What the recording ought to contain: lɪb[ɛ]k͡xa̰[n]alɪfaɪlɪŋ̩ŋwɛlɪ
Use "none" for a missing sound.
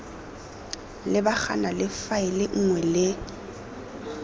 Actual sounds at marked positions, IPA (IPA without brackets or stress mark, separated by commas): a, n